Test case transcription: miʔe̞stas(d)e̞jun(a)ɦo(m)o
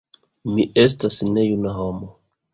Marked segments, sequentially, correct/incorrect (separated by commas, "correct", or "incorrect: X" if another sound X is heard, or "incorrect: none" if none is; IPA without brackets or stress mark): incorrect: n, correct, correct